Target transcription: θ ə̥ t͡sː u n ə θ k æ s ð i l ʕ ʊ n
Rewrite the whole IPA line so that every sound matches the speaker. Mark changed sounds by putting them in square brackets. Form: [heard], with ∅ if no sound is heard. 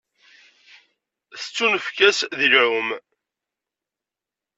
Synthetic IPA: θ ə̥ t͡sː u n ə [f] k æ s ð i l ʕ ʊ [m]